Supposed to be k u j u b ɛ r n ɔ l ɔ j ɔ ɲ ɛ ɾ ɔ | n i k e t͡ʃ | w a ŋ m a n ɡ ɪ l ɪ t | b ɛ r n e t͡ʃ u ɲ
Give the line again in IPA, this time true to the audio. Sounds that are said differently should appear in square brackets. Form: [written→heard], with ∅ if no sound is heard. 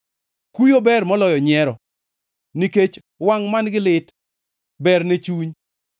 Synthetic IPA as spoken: k u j [u→o] b ɛ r [n→m] ɔ l ɔ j ɔ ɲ ɛ ɾ ɔ | n i k e t͡ʃ | w a ŋ m a n ɡ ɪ l ɪ t | b ɛ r n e t͡ʃ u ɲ